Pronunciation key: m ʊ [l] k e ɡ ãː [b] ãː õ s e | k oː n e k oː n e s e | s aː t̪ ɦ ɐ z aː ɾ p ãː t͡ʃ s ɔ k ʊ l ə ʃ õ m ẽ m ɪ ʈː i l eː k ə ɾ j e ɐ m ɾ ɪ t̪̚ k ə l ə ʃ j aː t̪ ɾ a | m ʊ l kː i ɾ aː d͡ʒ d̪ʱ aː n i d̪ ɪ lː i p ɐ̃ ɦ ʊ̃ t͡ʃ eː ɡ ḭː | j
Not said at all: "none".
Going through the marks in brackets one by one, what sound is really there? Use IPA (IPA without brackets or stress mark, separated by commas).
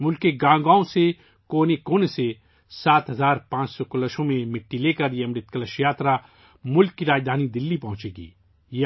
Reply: l, ɡ